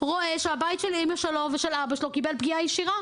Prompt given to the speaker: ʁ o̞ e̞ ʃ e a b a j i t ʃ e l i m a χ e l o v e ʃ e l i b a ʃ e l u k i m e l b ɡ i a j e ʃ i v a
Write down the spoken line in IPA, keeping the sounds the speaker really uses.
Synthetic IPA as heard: ʁ o̞ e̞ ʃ e a b a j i t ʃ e l i m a ʃ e l o v e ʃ e l a b a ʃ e l o k i b e l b ɡ i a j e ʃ i ʁ a